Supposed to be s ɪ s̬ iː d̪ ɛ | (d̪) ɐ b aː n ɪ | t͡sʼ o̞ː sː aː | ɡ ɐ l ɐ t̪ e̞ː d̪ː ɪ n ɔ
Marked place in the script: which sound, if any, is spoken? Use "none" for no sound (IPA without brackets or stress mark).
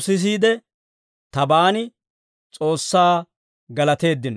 t̪